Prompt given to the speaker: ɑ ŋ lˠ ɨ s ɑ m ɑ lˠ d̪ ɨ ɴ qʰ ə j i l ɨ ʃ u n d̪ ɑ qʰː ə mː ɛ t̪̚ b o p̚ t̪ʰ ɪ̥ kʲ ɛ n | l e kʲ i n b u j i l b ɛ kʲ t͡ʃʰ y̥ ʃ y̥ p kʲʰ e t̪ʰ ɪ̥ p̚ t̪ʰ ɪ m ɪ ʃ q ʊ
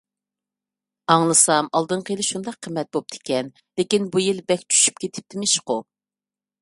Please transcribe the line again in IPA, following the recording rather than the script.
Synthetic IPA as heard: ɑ ŋ lˠ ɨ s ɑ m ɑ lˠ d̪ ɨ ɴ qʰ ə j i l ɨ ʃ u n d̪ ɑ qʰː ə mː ɛ t̪̚ b o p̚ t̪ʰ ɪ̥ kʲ ɛ n | l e kʲ i n b u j i l b ɛ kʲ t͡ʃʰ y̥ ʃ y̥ p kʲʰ e t̪ʰ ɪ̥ p̚ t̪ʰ ɪ m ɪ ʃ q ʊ

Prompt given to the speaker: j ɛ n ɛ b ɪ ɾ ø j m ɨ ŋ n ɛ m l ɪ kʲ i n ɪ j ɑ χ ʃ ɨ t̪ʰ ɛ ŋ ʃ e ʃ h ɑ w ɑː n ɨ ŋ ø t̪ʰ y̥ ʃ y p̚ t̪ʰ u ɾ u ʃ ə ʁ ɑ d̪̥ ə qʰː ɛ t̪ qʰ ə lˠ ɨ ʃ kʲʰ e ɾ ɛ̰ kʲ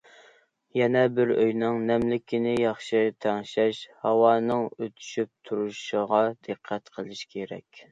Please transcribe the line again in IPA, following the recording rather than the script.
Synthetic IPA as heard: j ɛ n ɛ b ɪ ɾ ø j n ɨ ŋ n ɛ m l ɪ kʲ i n ɪ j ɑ χ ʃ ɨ t̪ʰ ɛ ŋ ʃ ɛ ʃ h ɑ w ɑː n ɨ ŋ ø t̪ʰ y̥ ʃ y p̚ t̪ʰ u ɾ u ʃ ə ʁ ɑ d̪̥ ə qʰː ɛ t̪ qʰ ə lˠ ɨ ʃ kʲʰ e ɾ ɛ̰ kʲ

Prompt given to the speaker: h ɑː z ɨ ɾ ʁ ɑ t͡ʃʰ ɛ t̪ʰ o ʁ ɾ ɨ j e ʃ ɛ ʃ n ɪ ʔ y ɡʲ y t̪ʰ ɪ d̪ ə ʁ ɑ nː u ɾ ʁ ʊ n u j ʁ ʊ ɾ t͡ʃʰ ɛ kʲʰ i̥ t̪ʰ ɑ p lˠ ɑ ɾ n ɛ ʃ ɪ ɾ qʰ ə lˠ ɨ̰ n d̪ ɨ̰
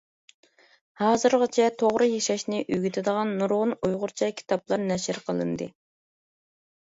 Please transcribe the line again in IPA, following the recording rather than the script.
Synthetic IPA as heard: h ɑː z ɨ ɾ ʁ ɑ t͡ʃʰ ɛ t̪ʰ o ʁ ɾ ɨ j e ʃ ɛ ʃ n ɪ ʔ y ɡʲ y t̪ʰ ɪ d̪ ə ʁ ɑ nː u ɾ ʁ ʊ n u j ʁ ʊ ɾ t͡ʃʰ ɛ kʲʰ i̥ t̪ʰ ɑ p lˠ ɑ ɾ n ɛ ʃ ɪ ɾ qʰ ə lˠ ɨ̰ n d̪ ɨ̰

